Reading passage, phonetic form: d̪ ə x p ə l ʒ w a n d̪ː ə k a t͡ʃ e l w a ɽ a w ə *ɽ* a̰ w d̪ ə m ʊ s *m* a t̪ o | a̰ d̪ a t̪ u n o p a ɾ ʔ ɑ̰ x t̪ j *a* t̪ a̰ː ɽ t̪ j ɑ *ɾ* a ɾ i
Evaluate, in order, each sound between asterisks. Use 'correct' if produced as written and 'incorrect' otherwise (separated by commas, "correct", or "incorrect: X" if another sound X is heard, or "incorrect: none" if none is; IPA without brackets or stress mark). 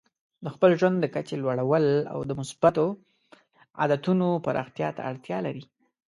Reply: incorrect: l, incorrect: b, incorrect: ɑ, incorrect: l